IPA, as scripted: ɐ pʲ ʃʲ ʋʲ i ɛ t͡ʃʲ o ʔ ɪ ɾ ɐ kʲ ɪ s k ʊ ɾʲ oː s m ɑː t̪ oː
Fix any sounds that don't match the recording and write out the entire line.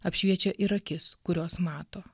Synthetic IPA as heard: ɐ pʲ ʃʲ ʋʲ i ɛ t͡ʃʲ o ʔ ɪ ɾ ɐ kʲ ɪ s k ʊ ɾʲ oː s m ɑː t̪ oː